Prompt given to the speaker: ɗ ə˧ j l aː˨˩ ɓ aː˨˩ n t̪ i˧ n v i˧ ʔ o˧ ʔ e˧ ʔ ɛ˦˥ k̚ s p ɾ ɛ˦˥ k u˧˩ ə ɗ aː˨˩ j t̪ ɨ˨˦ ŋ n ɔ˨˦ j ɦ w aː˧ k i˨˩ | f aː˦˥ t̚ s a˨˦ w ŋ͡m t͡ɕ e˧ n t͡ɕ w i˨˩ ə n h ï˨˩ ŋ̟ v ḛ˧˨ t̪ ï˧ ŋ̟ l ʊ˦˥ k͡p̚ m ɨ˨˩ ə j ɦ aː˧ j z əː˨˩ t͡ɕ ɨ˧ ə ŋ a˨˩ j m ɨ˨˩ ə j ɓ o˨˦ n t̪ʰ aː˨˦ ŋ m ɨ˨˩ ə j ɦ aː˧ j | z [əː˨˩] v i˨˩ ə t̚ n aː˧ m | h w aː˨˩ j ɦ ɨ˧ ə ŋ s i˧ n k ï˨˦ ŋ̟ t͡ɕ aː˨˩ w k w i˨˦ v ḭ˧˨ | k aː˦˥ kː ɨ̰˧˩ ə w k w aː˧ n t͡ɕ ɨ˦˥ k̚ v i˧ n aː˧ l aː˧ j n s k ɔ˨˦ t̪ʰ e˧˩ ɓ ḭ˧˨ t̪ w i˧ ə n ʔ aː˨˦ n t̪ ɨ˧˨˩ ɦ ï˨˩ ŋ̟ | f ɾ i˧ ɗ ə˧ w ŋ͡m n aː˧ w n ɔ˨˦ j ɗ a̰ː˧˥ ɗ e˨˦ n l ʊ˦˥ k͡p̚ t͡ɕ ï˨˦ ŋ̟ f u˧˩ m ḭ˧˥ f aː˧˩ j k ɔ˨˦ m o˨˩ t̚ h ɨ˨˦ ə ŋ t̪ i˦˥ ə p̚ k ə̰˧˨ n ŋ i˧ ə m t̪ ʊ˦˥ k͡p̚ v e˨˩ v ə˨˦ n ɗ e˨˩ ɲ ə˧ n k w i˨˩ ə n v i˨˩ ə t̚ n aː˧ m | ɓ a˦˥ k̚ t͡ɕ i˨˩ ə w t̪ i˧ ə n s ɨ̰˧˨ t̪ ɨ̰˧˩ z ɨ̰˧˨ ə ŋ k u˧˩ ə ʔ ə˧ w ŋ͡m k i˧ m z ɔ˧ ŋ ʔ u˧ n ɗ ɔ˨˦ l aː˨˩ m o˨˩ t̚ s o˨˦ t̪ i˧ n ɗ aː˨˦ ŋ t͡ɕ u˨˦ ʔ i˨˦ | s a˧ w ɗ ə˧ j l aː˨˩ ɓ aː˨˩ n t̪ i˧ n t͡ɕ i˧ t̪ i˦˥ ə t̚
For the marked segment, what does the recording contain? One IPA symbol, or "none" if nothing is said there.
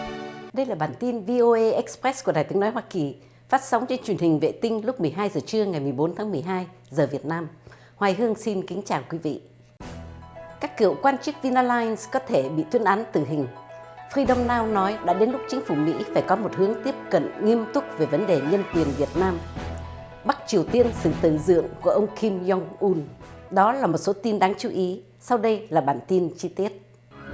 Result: əː˨˩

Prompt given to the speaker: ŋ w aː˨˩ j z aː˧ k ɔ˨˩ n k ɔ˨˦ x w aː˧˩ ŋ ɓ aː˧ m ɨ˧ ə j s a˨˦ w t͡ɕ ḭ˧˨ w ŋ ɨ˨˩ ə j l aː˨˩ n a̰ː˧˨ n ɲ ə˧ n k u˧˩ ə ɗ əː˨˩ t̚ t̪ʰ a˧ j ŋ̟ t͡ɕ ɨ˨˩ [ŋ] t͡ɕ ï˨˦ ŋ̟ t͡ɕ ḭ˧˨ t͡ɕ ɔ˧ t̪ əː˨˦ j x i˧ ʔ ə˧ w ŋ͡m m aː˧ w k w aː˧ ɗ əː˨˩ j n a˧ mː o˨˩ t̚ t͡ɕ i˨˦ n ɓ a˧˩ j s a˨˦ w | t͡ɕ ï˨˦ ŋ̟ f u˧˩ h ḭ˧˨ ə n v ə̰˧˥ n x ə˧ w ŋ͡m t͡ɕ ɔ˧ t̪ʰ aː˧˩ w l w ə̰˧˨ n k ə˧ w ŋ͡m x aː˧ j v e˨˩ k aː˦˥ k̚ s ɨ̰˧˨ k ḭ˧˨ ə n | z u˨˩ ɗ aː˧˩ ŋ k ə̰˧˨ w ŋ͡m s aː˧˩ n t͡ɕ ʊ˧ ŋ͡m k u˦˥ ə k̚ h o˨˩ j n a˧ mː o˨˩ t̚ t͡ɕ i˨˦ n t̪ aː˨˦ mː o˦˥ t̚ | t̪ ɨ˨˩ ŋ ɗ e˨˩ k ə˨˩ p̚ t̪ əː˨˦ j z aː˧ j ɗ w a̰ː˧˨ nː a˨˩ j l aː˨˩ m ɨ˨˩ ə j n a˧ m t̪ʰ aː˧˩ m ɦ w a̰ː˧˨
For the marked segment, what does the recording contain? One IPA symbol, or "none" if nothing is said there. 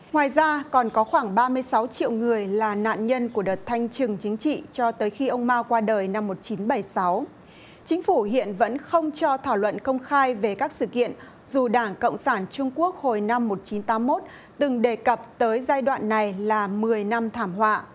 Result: ŋ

